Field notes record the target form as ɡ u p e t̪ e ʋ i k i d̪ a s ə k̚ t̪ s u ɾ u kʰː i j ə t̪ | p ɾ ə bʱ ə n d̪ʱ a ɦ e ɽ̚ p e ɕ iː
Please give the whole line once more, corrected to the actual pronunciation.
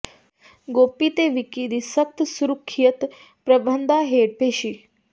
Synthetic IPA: ɡ o p i t̪ e ʋ i k i d̪ i s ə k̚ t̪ s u ɾ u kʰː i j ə t̪ | p ɾ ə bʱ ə n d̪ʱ a ɦ e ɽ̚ p e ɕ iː

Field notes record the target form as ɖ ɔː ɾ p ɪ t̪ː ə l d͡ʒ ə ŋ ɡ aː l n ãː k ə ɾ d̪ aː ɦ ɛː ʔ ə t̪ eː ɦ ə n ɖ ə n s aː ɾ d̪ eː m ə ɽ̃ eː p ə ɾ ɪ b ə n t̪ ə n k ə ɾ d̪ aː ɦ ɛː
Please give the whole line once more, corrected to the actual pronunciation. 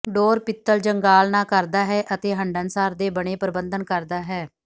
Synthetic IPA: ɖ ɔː ɾ p ɪ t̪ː ə l d͡ʒ ə ŋ ɡ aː l n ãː k ə ɾ d̪ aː ɦ ɛː ʔ ə t̪ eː ɦ ə ɳ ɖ ə n s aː ɾ d̪ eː b ə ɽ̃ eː p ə ɾ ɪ b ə n d̪ ə n k ə ɾ d̪ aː ɦ ɛː

